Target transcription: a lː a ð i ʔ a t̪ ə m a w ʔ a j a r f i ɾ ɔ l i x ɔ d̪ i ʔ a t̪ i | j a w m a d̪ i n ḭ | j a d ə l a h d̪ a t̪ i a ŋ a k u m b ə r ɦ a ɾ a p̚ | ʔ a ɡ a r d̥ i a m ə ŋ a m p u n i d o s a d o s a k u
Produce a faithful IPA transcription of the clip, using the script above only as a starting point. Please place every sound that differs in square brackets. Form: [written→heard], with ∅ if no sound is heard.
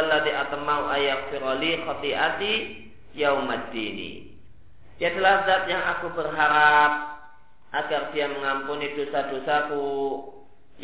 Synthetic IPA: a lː a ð i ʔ a t̪ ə m a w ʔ a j a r f i ɾ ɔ l i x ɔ [d̪→t̪] i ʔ a t̪ i | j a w m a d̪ i n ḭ | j a d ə l a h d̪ a t̪ [i→j] a ŋ a k u [m→∅] b ə r ɦ a ɾ a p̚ | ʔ a ɡ a r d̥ i a m ə ŋ a m p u n i d o s a d o s a k u